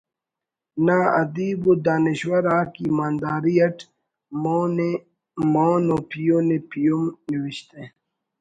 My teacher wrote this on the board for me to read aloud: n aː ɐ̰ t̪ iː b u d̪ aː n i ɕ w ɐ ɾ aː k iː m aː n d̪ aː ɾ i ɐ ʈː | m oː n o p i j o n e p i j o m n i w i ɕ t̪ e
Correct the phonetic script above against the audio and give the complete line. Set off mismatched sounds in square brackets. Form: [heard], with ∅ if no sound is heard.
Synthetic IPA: n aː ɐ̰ [d̪] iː b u d̪ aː n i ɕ w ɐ ɾ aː k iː m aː n d̪ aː ɾ i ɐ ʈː | m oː n o p i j o n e p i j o m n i w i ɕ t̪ e